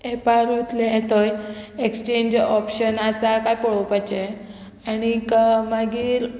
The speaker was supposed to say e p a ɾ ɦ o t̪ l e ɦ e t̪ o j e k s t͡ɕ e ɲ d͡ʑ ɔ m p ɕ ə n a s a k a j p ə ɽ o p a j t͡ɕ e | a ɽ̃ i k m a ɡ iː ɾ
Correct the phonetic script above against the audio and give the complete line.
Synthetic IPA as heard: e p a ɾ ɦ o t̪ l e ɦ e t̪ o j e k s t͡ɕ e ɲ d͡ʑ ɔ p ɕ ə n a s a k a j p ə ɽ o p a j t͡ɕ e | a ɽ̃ i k m a ɡ iː ɾ